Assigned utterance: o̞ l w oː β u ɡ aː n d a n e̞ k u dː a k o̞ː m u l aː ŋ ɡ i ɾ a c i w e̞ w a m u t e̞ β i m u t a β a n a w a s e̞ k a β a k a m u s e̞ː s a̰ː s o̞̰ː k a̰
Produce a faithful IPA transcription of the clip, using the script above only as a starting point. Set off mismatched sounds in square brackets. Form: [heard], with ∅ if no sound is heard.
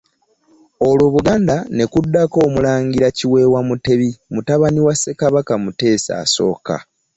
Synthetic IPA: o̞ l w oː β u ɡ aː n d a n e̞ k u dː a k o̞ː m u l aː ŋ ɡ i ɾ a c i w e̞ w a m u t e̞ β i m u t a β a n [i] w a s e̞ k a β a k a m u [t] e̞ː s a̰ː s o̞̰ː k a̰